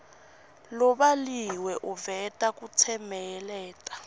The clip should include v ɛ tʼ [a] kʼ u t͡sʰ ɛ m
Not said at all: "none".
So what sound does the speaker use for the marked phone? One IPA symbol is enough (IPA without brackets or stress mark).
a